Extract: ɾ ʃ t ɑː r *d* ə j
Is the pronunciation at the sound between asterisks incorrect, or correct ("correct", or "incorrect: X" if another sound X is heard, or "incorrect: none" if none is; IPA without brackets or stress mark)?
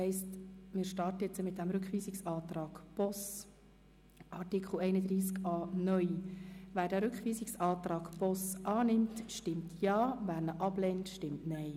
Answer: incorrect: t